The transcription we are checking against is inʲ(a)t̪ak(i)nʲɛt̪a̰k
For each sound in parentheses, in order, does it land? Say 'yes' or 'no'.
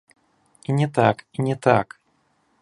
no, yes

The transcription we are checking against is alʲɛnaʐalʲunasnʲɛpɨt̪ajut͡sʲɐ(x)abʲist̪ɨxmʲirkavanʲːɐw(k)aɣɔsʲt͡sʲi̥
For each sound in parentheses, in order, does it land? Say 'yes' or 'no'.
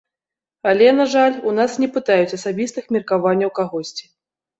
no, yes

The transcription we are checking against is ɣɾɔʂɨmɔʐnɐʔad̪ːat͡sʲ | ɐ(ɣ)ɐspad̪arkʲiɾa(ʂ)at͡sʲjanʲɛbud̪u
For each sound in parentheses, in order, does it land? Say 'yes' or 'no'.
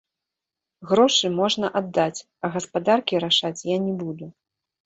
yes, yes

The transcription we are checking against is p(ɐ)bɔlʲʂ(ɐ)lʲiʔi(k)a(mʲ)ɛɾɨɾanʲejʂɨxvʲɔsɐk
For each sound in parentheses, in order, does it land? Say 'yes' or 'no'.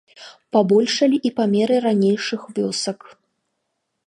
no, yes, no, yes

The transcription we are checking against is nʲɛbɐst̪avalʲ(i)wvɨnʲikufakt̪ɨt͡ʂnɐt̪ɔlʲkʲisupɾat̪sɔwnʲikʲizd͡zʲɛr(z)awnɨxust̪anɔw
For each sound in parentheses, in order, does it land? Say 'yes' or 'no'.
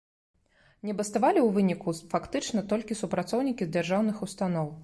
yes, no

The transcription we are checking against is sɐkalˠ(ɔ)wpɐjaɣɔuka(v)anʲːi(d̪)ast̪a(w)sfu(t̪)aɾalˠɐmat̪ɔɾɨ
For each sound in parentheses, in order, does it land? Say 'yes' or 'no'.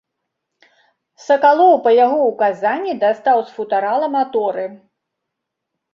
yes, no, yes, yes, yes

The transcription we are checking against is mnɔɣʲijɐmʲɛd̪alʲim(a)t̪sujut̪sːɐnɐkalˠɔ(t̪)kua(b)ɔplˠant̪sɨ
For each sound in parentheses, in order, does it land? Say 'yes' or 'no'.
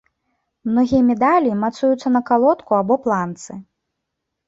yes, yes, yes

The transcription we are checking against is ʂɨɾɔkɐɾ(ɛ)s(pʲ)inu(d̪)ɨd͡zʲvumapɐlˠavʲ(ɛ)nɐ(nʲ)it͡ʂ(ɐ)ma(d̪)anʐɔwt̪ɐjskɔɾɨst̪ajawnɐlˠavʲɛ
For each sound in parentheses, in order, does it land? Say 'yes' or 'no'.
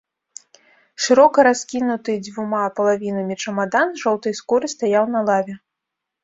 no, no, no, no, no, yes, yes

